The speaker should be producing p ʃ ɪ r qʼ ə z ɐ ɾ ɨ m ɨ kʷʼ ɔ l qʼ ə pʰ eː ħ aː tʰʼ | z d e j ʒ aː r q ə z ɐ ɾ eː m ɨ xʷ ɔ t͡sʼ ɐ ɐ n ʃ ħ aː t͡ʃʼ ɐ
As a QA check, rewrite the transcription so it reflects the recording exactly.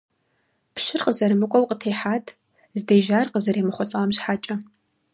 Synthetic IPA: p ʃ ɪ r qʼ ə z ɐ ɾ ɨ m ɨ kʷʼ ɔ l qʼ ə tʰ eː ħ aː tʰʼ | z d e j ʒ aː r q ə z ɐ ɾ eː m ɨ χʷ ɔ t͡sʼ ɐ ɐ m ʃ ħ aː t͡ʃʼ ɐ